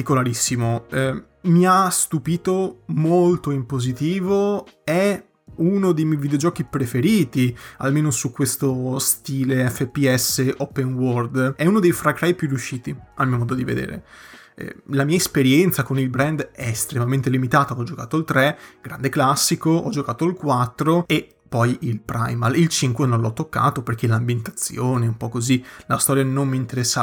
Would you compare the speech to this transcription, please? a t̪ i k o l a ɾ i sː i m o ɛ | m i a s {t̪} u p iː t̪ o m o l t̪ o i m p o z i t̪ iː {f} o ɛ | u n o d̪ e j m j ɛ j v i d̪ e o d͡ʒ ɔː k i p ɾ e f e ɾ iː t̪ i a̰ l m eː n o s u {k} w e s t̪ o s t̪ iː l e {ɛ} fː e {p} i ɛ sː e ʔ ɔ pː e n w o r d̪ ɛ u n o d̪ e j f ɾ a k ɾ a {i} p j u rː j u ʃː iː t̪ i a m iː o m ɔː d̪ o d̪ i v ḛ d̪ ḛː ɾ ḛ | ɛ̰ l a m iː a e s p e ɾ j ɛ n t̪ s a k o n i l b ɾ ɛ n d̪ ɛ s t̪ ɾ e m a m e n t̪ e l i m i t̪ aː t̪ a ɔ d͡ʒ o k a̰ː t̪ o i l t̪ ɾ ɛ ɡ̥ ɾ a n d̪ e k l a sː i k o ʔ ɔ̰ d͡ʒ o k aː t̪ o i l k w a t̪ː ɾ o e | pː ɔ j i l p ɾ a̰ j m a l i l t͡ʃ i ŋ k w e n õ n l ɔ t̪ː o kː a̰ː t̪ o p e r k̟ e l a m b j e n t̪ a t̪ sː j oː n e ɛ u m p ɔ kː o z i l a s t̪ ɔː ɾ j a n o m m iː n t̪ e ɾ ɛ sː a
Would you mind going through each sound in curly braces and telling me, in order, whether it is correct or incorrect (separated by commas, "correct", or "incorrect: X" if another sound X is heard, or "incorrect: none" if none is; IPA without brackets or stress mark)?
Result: correct, incorrect: v, correct, correct, correct, incorrect: j